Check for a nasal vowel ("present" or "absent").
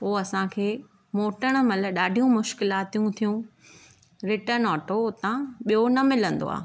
present